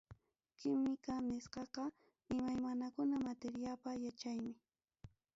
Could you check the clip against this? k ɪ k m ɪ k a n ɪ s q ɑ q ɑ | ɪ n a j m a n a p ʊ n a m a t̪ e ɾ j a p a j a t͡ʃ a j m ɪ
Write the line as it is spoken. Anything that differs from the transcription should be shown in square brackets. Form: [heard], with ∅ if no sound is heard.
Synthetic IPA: k ɪ [∅] m ɪ k a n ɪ s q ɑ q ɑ | ɪ [m] a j m a n a [k] ʊ n a m a t̪ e ɾ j a p a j a t͡ʃ a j m ɪ